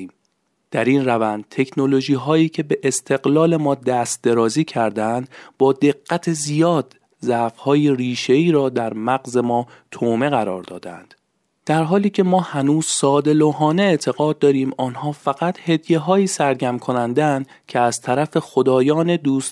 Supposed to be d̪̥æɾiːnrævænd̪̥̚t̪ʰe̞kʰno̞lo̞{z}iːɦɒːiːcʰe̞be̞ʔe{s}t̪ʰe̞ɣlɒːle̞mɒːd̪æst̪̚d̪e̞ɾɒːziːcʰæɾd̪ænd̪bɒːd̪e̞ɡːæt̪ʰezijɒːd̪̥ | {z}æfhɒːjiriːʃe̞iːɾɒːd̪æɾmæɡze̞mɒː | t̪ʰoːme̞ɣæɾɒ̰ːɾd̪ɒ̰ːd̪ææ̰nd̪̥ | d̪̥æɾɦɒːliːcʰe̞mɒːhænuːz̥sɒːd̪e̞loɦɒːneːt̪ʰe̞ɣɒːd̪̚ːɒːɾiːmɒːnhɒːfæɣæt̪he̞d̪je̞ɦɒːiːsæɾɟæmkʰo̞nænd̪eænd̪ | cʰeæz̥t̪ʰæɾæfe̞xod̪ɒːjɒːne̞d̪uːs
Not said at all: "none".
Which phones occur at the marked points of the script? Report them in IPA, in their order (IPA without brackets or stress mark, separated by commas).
ʒ, s, z